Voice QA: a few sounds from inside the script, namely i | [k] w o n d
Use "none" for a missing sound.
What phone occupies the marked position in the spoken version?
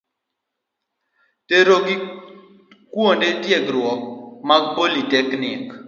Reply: k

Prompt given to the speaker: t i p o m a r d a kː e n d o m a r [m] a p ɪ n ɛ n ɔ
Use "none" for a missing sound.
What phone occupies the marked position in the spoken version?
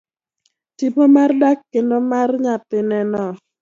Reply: ɲ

